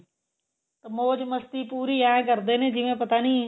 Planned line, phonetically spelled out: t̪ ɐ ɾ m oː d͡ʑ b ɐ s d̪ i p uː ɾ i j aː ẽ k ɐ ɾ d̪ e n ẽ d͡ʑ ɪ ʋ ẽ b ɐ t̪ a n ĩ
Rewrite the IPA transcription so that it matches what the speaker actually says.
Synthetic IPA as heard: t̪ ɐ m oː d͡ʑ m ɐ s t̪ i p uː ɾ i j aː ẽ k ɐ ɾ d̪ e n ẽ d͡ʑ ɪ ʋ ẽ p ɐ t̪ a n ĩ

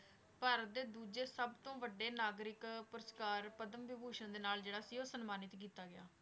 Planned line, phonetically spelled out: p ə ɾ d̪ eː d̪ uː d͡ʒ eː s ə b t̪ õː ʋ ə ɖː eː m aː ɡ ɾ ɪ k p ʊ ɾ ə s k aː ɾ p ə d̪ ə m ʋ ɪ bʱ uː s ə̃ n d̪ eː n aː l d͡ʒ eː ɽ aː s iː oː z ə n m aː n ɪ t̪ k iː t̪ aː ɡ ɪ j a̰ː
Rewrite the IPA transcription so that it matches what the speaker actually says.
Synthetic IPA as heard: p ə ɾ d̪ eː d̪ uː d͡ʒ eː s ə b t̪ õː ʋ ə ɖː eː n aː ɡ ɾ ɪ k p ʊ ɾ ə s k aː ɾ p ə d̪ ə m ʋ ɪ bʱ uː ʃ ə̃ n d̪ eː n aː l d͡ʒ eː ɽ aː s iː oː s ə n m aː n ɪ t̪ k iː t̪ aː ɡ ɪ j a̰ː

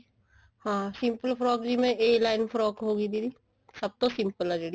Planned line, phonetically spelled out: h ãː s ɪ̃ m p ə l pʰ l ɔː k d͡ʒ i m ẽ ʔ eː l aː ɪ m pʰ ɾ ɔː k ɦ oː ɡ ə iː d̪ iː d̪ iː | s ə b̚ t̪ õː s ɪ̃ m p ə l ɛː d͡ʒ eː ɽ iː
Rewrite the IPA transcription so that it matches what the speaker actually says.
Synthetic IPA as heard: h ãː s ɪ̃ m p ə l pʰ ɾ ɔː k d͡ʒ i m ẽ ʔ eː l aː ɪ n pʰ ɾ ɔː k ɦ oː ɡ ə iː d̪ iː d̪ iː | s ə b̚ t̪ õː s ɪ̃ m p ə l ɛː d͡ʒ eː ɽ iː

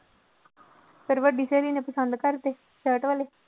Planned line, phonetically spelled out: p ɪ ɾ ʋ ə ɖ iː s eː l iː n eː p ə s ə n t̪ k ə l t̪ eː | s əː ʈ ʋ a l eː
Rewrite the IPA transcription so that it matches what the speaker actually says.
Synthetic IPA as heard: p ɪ ɾ ʋ ə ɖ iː s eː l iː n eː p ə s ə n d̪ k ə ɾ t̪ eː | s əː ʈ ʋ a l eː

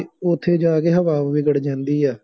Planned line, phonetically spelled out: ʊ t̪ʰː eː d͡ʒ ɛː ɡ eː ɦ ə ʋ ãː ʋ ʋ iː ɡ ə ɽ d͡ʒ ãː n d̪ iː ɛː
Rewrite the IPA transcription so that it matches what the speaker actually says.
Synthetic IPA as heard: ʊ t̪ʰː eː d͡ʒ aː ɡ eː ɦ ə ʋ aː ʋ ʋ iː ɡ ə ɽ d͡ʒ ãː n d̪ iː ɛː

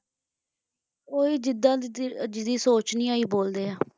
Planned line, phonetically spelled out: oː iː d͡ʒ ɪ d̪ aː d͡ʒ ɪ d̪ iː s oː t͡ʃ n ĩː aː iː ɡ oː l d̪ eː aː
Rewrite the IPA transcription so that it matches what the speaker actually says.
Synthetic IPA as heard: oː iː d͡ʒ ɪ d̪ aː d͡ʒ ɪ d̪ iː s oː t͡ʃ n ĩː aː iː b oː l d̪ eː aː

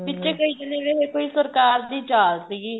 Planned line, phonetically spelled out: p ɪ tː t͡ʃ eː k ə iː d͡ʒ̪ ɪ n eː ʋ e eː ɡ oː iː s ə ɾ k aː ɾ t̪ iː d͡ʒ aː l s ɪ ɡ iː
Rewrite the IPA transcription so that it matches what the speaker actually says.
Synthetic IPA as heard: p ɪ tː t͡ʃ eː k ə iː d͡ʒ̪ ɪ n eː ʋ e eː k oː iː s ə ɾ k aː ɾ d̪ iː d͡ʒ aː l s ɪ ɡ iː

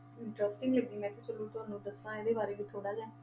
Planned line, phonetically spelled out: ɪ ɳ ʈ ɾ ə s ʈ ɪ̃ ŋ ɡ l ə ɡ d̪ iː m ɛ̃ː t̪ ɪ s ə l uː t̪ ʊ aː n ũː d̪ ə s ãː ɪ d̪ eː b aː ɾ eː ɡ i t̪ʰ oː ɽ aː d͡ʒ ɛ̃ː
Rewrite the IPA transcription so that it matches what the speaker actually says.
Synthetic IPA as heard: ɪ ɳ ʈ ɾ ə s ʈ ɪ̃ ŋ ɡ l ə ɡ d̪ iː m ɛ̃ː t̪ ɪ s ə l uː t̪ ʊ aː n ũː d̪ ə s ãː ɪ d̪ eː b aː ɾ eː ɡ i t̪ʰ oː ɽ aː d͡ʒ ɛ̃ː

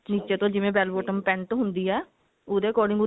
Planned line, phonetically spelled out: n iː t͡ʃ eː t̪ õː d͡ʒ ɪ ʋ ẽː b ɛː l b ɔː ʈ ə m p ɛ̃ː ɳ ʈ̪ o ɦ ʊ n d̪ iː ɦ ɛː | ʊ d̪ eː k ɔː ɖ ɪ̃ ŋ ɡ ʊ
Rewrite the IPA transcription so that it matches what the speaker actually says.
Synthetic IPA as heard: n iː t͡ʃ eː t̪ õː d͡ʒ ɪ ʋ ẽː b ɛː l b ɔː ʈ ə m p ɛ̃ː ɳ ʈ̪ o ɦ ʊ n d̪ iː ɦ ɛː | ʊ d̪ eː k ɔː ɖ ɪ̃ ŋ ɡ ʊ

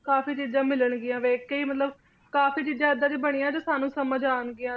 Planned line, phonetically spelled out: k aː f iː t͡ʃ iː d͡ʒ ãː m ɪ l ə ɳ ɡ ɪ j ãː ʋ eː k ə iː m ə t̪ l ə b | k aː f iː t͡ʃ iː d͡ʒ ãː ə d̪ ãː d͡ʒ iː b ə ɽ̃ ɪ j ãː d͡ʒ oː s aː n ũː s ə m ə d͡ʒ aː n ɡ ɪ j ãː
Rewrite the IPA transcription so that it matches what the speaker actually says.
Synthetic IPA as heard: k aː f iː t͡ʃ iː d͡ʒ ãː m ɪ l ə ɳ ɡ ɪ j ãː ʋ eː k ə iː m ə t̪ l ə b | k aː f iː t͡ʃ iː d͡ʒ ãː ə d̪ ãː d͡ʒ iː b ə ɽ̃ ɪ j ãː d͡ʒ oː s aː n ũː s ə m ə d͡ʒ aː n ɡ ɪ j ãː

